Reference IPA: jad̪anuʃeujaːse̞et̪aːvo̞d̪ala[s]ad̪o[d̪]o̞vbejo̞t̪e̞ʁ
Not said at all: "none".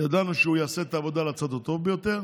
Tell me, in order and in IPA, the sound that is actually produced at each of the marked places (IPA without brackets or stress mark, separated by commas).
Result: t͡s, t̪